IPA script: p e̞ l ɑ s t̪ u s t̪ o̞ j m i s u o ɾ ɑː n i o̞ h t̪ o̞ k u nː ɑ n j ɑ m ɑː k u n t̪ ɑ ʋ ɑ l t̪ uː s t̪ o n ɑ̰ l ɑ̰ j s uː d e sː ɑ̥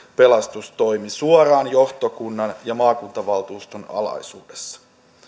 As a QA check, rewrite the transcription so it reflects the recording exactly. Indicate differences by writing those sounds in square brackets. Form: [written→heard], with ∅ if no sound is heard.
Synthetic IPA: p e̞ l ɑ s t̪ u s t̪ o̞ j m i s u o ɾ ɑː n [i→j] o̞ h t̪ o̞ k u nː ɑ n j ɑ m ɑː k u n t̪ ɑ ʋ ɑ l t̪ uː s t̪ o n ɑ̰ l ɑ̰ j s uː d e sː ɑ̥